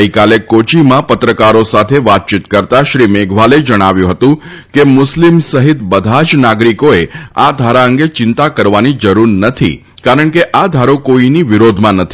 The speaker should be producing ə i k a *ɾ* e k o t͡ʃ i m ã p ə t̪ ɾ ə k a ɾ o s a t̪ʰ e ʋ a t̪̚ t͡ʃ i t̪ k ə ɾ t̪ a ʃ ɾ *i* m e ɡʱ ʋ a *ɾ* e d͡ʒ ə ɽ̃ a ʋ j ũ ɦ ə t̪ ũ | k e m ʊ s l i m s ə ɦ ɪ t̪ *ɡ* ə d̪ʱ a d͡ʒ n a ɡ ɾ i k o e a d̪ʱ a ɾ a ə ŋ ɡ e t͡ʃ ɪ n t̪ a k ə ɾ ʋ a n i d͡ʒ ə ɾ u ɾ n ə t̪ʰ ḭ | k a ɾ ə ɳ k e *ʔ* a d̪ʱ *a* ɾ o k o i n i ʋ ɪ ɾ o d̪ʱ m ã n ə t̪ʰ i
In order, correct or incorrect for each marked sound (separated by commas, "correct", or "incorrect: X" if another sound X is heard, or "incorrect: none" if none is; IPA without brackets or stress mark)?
incorrect: l, correct, incorrect: l, incorrect: b, correct, correct